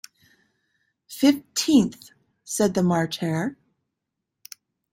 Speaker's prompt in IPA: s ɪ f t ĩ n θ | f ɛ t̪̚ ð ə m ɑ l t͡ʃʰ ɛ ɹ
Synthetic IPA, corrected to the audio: f ɪ f tʰ ĩ n θ | s ɛ d̪̚ ð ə m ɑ ɹ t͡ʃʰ ɛ ɹ